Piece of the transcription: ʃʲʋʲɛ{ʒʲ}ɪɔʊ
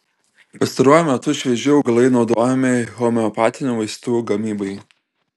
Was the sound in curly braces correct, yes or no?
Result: yes